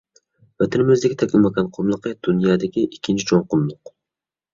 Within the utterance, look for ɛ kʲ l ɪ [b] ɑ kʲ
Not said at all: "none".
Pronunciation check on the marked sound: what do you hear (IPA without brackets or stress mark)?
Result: m